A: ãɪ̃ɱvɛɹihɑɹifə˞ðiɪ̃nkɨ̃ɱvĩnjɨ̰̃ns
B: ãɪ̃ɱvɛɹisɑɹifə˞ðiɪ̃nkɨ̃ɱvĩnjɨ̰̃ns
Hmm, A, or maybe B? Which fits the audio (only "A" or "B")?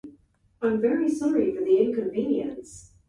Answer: B